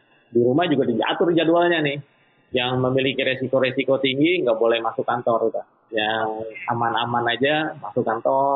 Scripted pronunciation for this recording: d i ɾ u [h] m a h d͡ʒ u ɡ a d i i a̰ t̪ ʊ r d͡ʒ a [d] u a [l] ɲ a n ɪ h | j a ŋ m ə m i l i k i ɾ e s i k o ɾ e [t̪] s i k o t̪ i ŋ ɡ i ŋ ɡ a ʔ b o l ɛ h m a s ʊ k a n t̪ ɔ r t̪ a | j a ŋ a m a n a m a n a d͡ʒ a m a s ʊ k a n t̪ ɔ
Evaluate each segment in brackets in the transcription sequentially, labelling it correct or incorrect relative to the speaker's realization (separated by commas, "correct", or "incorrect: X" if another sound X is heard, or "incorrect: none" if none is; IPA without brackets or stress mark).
incorrect: none, correct, correct, incorrect: none